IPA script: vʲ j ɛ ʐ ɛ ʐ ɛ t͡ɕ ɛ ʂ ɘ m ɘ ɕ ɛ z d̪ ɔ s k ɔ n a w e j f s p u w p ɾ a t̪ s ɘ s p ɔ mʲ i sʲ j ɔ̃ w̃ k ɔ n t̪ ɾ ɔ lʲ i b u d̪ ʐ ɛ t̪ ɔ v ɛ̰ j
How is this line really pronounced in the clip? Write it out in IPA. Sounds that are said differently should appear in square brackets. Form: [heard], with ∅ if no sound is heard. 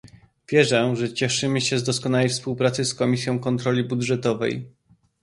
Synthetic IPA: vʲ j ɛ ʐ ɛ ʐ ɛ t͡ɕ ɛ ʂ ɘ m ɘ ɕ ɛ z d̪ ɔ s k ɔ n a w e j f s p u w p ɾ a t̪ s ɘ s [k] ɔ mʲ i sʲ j ɔ̃ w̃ k ɔ n t̪ ɾ ɔ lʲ i b u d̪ ʐ ɛ t̪ ɔ v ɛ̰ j

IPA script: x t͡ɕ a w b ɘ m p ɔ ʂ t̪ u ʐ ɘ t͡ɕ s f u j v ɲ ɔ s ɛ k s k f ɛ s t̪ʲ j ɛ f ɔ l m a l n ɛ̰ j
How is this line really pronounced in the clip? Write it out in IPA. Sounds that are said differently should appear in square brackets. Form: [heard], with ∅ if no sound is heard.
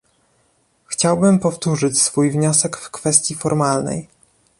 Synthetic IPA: x t͡ɕ a w b ɘ m p ɔ [f] t̪ u ʐ ɘ t͡ɕ s f u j v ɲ ɔ s ɛ k [f] k f ɛ s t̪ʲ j [i] f ɔ [ɾ] m a l n ɛ̰ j

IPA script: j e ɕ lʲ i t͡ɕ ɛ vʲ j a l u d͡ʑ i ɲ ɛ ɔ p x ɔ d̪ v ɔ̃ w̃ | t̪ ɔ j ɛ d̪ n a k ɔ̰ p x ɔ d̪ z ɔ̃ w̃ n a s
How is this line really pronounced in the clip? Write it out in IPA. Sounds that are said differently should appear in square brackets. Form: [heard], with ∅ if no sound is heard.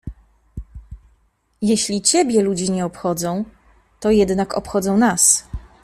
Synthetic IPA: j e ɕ lʲ i t͡ɕ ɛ [bʲ] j [ɛ] l u d͡ʑ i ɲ ɛ ɔ p x ɔ d̪ [z] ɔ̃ w̃ | t̪ ɔ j ɛ d̪ n a k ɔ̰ p x ɔ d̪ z ɔ̃ w̃ n a s

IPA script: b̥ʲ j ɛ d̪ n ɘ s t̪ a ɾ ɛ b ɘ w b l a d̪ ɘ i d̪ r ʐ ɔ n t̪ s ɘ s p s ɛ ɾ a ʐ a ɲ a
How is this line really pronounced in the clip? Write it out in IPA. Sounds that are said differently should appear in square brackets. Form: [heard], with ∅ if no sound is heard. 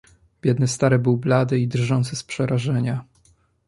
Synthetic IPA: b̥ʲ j ɛ d̪ n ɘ s t̪ a ɾ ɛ b ɘ w b l a d̪ ɘ i d̪ r ʐ ɔ n t̪ s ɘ s p [ʂ] ɛ ɾ a ʐ [ɛ] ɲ a

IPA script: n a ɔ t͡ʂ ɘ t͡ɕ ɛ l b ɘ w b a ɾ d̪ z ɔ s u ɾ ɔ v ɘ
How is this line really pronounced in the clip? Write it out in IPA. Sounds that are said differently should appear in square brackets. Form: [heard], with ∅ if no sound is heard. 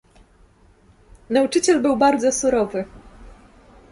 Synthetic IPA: n a [u] t͡ʂ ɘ t͡ɕ ɛ l b ɘ w b a ɾ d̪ z ɔ s u ɾ ɔ v ɘ

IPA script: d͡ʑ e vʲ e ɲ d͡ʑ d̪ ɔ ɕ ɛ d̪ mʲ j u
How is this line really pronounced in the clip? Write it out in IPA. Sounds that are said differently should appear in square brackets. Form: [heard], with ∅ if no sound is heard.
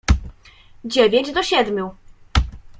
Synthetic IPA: d͡ʑ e vʲ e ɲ d͡ʑ d̪ ɔ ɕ ɛ d̪ mʲ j u

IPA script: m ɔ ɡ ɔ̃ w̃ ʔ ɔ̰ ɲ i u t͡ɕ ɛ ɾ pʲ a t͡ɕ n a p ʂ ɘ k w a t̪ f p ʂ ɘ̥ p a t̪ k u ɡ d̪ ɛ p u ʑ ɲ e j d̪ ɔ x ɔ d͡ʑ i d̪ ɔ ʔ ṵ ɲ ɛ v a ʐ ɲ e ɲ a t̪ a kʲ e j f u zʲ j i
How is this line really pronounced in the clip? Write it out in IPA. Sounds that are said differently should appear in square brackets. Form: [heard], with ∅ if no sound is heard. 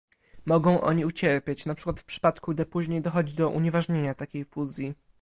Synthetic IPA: m ɔ ɡ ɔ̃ w̃ ʔ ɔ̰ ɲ i u t͡ɕ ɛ ɾ pʲ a t͡ɕ n a p ʂ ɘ k w a t̪ f p ʂ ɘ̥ p a t̪ k u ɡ d̪ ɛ p u ʑ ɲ e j d̪ ɔ x ɔ d͡ʑ i d̪ ɔ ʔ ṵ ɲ ɛ v a ʐ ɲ e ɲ a t̪ a kʲ e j f u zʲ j i

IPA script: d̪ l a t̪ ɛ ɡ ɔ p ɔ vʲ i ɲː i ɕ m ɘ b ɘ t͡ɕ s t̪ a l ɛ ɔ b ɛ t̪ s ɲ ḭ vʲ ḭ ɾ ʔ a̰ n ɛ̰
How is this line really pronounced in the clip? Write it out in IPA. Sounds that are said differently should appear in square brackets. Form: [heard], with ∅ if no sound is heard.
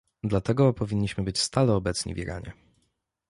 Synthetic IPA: d̪ l a t̪ ɛ ɡ ɔ p ɔ vʲ i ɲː i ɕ m ɘ b ɘ t͡ɕ s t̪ a l ɛ ɔ b ɛ t̪ s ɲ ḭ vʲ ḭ ɾ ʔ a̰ [ɲ] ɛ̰

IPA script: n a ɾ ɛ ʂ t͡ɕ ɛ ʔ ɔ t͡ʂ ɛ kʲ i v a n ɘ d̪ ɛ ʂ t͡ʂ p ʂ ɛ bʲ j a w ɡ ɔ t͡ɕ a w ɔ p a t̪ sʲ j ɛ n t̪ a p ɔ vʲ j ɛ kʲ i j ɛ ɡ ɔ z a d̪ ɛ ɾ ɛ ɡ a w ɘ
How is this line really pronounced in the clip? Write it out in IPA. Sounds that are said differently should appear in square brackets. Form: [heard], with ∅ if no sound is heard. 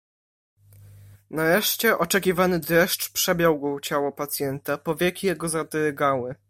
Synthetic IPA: n a ɾ ɛ ʂ t͡ɕ ɛ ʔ ɔ t͡ʂ ɛ kʲ i v a n ɘ d̪ ɛ ʂ t͡ʂ p ʂ ɛ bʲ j a w ɡ ɔ t͡ɕ a w ɔ p a t̪ sʲ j ɛ n t̪ a p ɔ vʲ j ɛ kʲ i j ɛ ɡ ɔ z a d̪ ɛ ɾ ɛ ɡ a w ɘ

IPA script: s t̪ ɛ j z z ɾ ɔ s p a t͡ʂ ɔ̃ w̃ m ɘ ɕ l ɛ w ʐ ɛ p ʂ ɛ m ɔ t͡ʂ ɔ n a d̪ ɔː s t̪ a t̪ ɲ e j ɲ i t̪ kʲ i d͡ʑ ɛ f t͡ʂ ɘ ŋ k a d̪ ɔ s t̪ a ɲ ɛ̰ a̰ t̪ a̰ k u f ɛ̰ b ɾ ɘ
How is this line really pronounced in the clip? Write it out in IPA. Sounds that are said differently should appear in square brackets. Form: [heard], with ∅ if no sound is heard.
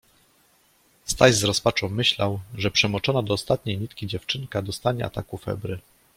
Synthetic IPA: s t̪ [a] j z z ɾ ɔ s p a t͡ʂ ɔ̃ w̃ m ɘ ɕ l [a] w ʐ ɛ p ʂ ɛ m ɔ t͡ʂ ɔ n a d̪ ɔː s t̪ a t̪ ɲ e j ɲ i t̪ kʲ i d͡ʑ ɛ f t͡ʂ ɘ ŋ k a d̪ ɔ s t̪ a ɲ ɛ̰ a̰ t̪ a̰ k u f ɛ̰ b ɾ ɘ

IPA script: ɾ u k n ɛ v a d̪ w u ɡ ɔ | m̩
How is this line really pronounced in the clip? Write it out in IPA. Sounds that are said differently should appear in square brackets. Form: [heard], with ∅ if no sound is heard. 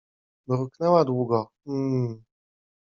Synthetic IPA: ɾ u k n ɛ [w] a d̪ w u ɡ ɔ | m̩

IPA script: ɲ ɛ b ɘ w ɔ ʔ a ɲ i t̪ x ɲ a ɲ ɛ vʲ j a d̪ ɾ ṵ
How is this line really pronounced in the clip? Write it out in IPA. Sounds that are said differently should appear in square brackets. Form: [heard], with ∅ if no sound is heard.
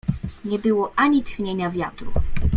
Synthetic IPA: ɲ ɛ b ɘ w ɔ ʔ a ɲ i t̪ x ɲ [e] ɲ [a] vʲ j a [t̪] ɾ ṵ

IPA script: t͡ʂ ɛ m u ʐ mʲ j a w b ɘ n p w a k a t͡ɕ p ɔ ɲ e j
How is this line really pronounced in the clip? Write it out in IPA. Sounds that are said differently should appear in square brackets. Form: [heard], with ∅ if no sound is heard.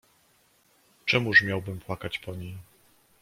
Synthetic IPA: t͡ʂ ɛ m u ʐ mʲ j a w b ɘ [m] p w a k a t͡ɕ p ɔ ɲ e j

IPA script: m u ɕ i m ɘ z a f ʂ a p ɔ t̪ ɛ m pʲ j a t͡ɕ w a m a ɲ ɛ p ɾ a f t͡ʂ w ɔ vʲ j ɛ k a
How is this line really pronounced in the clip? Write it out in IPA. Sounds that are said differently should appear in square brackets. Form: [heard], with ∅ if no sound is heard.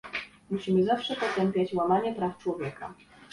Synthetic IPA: m u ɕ i m ɘ z a f ʂ [ɛ] p ɔ t̪ ɛ m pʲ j a t͡ɕ w a m a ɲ ɛ p ɾ a f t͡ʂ w ɔ vʲ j ɛ k a

